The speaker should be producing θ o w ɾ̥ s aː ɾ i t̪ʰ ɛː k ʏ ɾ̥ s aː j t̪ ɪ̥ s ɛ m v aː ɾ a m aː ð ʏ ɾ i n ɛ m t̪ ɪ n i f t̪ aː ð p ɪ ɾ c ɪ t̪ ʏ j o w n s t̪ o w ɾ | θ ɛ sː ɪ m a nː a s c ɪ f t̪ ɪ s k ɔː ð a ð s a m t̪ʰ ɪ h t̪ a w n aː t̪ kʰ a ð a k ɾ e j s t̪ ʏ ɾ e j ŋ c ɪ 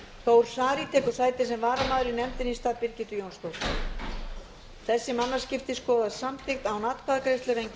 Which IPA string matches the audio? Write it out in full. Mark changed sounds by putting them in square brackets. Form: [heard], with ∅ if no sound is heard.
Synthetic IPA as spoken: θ o w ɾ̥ s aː ɾ i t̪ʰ ɛː k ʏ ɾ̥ s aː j t̪ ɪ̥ s ɛ m v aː ɾ a m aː ð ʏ ɾ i n ɛ m t̪ ɪ n i [s] t̪ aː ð p ɪ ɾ c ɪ t̪ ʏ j o w n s t̪ o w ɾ | θ ɛ sː ɪ m a nː a s c ɪ f t̪ ɪ s k ɔː ð a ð s a m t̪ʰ ɪ [x] t̪ a w n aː t̪ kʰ a ð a k ɾ e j s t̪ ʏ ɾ e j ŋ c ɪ